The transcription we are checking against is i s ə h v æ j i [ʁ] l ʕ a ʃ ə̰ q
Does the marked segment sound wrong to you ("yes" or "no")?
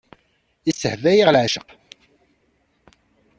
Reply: no